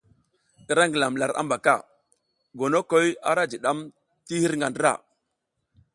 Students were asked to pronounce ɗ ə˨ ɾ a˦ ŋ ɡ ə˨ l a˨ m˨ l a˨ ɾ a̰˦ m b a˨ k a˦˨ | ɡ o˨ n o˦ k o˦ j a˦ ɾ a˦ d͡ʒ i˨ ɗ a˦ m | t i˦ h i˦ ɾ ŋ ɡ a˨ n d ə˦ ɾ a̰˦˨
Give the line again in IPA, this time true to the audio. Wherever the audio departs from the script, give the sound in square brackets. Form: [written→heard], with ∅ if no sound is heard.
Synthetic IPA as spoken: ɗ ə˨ ɾ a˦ ŋ ɡ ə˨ l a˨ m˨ l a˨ ɾ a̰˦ m b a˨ k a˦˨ | ɡ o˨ n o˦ k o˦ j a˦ ɾ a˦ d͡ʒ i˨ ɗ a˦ m | t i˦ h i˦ ɾ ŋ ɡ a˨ n d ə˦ ɾ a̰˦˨